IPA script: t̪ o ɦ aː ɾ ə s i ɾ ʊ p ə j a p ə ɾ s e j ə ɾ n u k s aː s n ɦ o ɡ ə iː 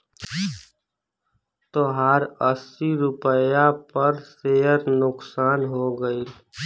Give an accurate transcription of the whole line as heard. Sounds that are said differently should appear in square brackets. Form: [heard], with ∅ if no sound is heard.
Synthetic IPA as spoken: t̪ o ɦ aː ɾ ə s i ɾ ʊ p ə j a p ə ɾ s e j ə ɾ n [ʊ] k s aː [∅] n ɦ o ɡ ə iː